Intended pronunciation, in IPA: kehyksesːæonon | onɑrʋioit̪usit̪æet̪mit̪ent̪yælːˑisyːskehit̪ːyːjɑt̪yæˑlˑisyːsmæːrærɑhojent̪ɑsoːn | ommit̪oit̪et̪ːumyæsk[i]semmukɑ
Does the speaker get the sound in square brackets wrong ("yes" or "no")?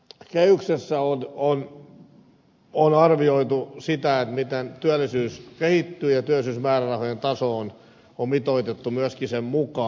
no